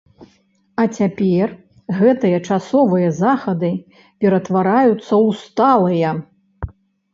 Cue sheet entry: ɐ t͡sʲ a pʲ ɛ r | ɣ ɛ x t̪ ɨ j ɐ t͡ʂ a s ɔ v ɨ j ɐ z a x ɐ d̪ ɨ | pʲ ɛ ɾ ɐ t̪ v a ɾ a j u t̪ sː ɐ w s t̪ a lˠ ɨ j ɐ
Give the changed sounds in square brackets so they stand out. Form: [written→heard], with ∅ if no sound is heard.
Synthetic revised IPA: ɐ t͡sʲ a pʲ ɛ r | ɣ ɛ [x→∅] t̪ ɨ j ɐ t͡ʂ a s ɔ v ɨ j ɐ z a x ɐ d̪ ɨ | pʲ ɛ ɾ ɐ t̪ v a ɾ a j u t̪ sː ɐ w s t̪ a lˠ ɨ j ɐ

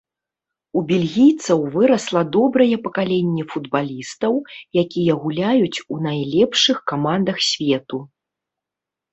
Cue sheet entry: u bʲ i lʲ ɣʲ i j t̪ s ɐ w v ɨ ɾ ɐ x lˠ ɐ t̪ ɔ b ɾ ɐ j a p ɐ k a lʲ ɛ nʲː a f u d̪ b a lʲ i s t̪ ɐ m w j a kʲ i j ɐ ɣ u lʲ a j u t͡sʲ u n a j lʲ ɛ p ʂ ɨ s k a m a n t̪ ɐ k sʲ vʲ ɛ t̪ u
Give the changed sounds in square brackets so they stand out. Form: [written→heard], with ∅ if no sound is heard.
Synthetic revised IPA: u bʲ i lʲ ɣʲ i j t̪ s ɐ w v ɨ ɾ ɐ [x→s] lˠ ɐ [t̪→d̪] ɔ b ɾ ɐ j [a→ɛ] p ɐ k a lʲ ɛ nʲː [a→ɛ] f u d̪ b a lʲ i s t̪ ɐ [m→∅] w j a kʲ i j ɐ ɣ u lʲ a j u t͡sʲ u n a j lʲ ɛ p ʂ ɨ [s→x] k a m a n [t̪→d̪] ɐ [k→x] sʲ vʲ ɛ t̪ u

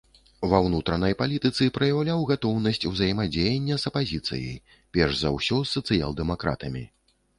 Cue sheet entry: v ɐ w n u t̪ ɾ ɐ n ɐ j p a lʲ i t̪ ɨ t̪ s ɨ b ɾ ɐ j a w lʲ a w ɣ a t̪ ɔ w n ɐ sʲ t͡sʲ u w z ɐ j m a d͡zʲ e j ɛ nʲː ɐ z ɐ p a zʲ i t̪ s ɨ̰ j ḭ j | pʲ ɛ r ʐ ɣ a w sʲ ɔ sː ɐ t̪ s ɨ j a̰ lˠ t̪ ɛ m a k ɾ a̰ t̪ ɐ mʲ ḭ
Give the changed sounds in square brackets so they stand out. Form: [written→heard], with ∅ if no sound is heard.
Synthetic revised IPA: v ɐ w n u t̪ ɾ ɐ n ɐ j p a lʲ i t̪ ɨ t̪ s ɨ [b→p] ɾ ɐ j a w lʲ a w ɣ a t̪ ɔ w n ɐ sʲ t͡sʲ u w z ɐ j m a d͡zʲ e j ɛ nʲː ɐ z ɐ p a zʲ i t̪ s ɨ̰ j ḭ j | pʲ ɛ r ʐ [ɣ→z] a w sʲ ɔ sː ɐ t̪ s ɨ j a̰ lˠ [t̪→d̪] ɛ m a k ɾ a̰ t̪ ɐ mʲ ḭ

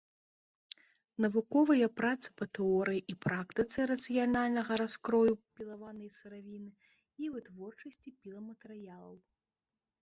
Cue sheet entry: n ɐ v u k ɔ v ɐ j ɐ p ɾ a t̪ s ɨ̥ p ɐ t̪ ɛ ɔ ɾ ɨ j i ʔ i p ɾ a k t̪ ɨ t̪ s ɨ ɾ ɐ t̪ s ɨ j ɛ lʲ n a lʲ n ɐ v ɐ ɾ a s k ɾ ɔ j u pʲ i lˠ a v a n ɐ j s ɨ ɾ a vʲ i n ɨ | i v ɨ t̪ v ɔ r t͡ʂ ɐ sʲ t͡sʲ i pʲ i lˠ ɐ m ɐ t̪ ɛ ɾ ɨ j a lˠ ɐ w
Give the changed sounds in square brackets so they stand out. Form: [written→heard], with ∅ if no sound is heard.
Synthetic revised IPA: n ɐ v u k ɔ v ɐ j ɐ p ɾ a t̪ s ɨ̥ p ɐ t̪ ɛ ɔ ɾ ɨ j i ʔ i p ɾ a k t̪ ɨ t̪ s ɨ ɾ ɐ t̪ s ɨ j [ɛ→a] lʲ n a lʲ n ɐ [v→ɣ] ɐ ɾ a s k ɾ ɔ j u pʲ i lˠ a v a n ɐ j s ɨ ɾ a vʲ i n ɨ | i v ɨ t̪ v ɔ r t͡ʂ ɐ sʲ t͡sʲ i pʲ i lˠ ɐ m ɐ t̪ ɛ ɾ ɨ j a lˠ ɐ w

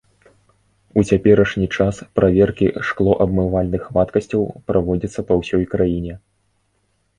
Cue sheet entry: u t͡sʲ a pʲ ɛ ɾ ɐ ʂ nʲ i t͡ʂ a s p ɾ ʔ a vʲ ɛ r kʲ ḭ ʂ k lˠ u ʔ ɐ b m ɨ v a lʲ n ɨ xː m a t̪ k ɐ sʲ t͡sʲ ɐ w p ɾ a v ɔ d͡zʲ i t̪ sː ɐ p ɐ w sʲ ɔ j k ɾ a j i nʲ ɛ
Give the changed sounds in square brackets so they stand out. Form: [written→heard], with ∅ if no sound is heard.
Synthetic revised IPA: u t͡sʲ a pʲ ɛ ɾ ɐ ʂ nʲ i t͡ʂ a s p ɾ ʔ a vʲ ɛ r kʲ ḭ ʂ k lˠ [u→ɔ] ʔ ɐ b m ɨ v a lʲ n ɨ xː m a t̪ k ɐ sʲ t͡sʲ ɐ w p ɾ a v ɔ d͡zʲ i t̪ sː ɐ p ɐ w sʲ ɔ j k ɾ a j i nʲ ɛ

